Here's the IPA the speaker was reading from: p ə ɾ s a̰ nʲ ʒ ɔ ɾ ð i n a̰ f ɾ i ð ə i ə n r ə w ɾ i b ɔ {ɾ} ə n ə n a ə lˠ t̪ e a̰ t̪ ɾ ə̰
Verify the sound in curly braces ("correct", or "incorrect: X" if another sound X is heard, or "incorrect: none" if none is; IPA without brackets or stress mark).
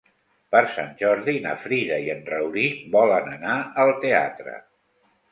incorrect: l